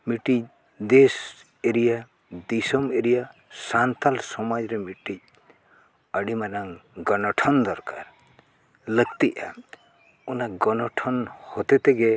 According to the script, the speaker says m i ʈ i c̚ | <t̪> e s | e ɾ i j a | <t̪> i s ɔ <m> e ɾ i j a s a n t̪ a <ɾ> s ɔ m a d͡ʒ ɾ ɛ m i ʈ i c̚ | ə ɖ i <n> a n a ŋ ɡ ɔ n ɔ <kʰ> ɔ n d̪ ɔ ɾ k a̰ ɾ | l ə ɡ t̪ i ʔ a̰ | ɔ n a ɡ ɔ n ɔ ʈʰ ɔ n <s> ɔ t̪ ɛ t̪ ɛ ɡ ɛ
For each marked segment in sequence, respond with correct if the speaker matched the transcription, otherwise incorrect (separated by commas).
incorrect, incorrect, correct, incorrect, incorrect, incorrect, incorrect